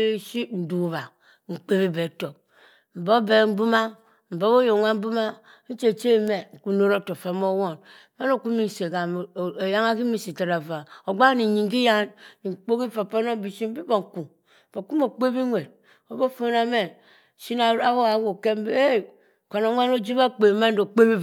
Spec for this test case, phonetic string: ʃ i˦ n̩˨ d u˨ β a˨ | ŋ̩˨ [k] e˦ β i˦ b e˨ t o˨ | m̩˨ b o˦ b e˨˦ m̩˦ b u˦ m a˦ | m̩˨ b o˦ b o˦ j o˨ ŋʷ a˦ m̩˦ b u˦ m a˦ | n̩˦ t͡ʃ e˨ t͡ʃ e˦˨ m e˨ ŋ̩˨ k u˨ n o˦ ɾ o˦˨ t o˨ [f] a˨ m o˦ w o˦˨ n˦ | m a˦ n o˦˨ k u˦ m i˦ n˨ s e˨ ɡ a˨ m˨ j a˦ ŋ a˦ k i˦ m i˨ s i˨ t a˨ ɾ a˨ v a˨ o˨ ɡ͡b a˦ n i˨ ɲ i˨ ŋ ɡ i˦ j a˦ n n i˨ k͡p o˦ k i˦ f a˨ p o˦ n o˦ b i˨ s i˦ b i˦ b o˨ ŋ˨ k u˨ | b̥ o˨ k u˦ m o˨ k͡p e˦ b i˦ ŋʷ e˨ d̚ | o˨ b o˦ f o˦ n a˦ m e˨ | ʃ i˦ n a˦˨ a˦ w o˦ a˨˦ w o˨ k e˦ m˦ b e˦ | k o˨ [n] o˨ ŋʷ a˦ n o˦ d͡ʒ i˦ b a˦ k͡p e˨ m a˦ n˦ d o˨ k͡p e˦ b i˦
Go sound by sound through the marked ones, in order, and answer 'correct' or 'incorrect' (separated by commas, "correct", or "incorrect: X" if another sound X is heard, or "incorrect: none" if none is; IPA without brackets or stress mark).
incorrect: k͡p, correct, correct